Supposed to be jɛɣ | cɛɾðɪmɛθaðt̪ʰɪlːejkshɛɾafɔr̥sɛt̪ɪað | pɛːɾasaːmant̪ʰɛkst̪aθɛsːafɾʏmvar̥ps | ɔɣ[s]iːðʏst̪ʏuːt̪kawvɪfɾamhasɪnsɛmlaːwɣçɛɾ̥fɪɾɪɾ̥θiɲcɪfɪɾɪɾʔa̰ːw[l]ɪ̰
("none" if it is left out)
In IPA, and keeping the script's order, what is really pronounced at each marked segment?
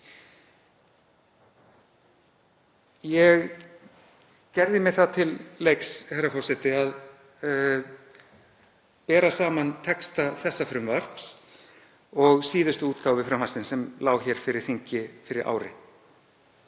s, ɾ

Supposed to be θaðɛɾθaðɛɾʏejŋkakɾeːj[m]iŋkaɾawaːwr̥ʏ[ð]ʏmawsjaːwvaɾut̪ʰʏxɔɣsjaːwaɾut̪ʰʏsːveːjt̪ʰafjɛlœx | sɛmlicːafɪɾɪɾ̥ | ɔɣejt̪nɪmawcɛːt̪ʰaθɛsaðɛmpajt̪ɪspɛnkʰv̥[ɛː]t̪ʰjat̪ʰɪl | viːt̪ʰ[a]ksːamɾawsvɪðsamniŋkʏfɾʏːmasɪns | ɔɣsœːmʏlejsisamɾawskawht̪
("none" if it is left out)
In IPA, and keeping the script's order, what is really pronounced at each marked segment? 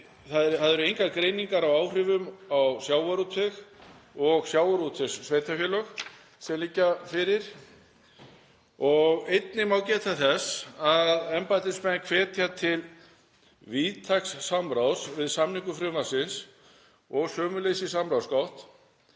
n, v, ɛː, a

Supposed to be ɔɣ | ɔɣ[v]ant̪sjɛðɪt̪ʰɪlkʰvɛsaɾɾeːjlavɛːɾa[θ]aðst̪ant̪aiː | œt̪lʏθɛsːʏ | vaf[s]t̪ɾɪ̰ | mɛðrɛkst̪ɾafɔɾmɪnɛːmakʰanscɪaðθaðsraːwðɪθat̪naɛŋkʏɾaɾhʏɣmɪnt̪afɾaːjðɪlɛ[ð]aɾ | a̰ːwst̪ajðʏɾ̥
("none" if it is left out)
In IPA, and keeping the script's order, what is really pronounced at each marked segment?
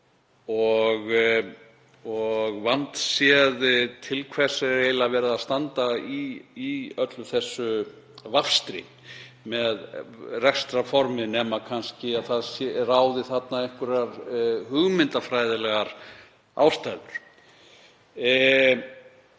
v, ð, s, ɣ

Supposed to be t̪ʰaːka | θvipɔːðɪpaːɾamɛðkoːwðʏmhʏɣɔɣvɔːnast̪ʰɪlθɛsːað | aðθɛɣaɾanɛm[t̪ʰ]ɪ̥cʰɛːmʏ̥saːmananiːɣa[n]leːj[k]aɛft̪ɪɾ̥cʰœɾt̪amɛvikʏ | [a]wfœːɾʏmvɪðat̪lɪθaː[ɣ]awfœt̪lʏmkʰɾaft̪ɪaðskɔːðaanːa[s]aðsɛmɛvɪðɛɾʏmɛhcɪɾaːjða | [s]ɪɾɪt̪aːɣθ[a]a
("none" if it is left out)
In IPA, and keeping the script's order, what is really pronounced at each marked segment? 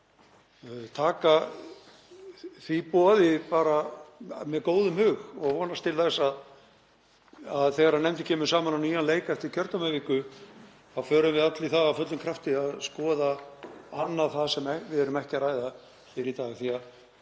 t̪, n, k, a, ɣ, θ, f, i

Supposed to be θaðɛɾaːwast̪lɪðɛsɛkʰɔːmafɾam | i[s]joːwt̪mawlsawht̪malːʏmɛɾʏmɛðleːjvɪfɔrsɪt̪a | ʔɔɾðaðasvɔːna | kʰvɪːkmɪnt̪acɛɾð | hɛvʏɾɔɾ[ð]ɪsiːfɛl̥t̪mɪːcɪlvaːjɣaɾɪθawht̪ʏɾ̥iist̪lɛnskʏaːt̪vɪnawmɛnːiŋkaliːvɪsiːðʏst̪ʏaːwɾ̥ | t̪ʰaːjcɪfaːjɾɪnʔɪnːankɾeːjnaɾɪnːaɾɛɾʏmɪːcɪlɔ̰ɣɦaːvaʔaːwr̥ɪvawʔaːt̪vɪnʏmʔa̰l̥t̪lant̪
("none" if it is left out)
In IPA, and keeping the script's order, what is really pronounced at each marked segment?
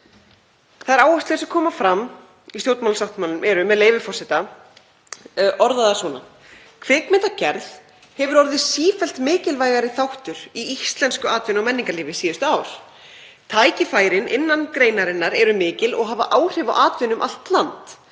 s, ð

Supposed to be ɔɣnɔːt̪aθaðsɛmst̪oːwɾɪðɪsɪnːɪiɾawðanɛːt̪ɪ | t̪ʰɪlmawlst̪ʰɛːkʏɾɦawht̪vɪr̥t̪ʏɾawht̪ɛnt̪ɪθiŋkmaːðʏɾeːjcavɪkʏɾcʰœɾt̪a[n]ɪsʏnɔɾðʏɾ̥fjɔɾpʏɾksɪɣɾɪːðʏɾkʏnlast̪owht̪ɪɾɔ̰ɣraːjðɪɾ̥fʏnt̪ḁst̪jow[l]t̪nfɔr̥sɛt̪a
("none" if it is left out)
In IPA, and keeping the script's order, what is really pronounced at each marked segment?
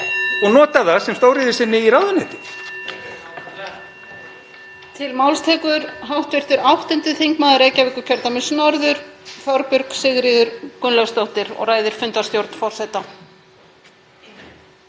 m, ɾ

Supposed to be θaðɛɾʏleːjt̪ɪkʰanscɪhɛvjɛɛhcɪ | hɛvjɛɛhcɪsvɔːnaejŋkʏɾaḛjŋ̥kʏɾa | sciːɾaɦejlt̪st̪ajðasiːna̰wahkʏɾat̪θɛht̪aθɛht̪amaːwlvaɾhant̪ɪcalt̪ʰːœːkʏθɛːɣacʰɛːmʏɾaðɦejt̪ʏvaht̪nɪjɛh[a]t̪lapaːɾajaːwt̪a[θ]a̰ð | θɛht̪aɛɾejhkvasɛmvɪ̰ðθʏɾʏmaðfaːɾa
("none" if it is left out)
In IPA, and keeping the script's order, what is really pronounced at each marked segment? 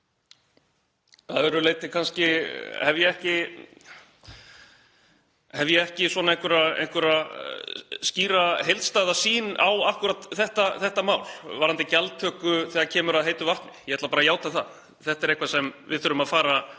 ɛ, θ

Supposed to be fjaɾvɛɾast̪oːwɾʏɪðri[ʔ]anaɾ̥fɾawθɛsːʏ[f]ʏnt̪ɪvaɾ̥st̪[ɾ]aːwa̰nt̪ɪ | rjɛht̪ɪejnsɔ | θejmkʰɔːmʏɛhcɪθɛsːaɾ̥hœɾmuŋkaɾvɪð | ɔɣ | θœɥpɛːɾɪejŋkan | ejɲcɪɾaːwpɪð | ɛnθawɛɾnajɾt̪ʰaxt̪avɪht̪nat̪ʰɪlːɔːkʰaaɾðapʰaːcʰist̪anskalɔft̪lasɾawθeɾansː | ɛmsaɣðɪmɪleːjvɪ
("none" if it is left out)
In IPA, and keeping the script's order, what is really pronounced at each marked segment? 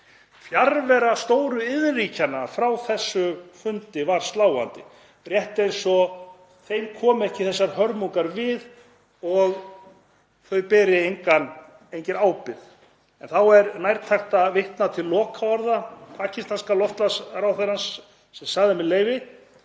c, f, l

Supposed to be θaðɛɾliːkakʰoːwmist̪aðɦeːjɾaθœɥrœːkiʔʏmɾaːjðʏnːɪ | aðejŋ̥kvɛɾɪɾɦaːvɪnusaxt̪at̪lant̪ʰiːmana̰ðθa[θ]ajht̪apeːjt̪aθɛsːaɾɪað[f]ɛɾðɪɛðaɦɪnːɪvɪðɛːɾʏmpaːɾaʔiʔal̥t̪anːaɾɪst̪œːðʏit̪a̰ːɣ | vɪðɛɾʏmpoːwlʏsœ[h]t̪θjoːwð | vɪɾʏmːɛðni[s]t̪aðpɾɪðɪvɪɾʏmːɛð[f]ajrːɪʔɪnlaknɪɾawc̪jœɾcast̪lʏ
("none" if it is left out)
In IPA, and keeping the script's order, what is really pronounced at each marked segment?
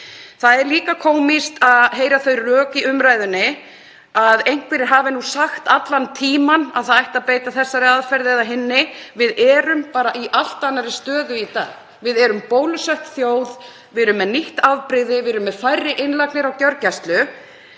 ð, f, h, h, f

